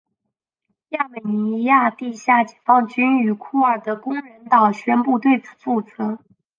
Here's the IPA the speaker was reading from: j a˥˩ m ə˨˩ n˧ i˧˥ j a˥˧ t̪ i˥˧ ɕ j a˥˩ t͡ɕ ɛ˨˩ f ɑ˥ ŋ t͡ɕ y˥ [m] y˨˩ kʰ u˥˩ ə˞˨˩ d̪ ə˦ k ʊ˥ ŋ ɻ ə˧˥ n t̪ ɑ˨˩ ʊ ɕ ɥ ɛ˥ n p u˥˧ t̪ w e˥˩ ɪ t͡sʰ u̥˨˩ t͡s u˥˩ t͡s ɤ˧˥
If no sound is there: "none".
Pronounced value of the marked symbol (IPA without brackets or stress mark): n